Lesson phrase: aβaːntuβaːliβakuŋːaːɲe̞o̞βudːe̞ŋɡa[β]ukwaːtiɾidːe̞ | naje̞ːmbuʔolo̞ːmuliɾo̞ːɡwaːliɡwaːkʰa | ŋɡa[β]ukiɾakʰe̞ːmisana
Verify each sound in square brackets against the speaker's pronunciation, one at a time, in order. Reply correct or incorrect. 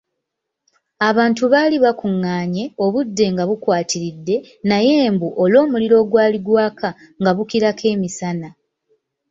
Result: correct, correct

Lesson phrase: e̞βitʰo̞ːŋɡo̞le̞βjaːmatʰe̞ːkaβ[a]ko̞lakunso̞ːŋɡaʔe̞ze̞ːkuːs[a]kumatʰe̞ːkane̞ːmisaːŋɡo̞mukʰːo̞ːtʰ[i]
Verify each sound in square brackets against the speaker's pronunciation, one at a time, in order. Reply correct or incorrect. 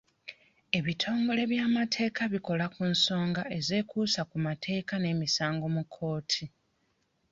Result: incorrect, correct, correct

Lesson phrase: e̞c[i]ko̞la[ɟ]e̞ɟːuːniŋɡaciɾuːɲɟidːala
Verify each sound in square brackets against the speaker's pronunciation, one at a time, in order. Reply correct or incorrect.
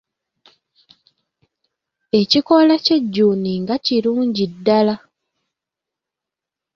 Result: correct, incorrect

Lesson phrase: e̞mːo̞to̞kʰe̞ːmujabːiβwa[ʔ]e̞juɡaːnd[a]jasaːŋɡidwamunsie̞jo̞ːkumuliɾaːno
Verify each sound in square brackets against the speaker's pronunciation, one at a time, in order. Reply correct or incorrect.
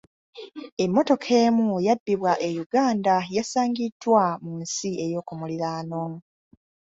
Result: correct, correct

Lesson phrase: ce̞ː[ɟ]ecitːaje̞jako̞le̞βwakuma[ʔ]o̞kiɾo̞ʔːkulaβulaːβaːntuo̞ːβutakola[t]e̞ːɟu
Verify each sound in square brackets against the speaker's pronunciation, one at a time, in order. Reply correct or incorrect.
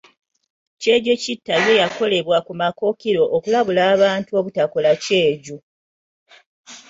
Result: correct, incorrect, incorrect

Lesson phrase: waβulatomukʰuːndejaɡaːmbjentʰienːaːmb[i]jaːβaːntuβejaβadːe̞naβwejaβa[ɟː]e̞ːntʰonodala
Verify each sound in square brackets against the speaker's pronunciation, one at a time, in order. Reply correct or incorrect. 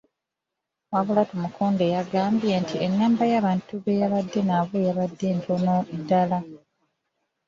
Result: incorrect, incorrect

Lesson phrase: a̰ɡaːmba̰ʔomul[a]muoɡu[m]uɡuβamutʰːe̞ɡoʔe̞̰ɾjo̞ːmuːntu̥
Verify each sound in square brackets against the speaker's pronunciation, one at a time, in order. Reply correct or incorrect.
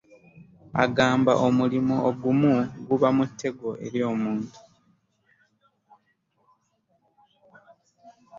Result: incorrect, correct

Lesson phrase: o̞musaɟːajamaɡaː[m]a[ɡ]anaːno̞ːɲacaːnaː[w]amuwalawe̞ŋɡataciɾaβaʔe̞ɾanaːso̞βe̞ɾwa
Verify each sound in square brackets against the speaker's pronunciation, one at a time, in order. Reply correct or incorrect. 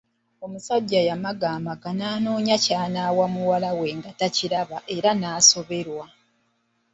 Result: correct, correct, correct

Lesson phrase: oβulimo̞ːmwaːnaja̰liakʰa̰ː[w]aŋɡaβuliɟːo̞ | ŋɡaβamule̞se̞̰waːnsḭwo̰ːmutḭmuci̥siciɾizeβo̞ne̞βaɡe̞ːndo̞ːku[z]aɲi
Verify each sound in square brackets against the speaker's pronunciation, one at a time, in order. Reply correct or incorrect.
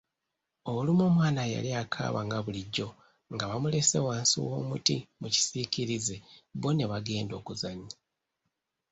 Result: incorrect, correct

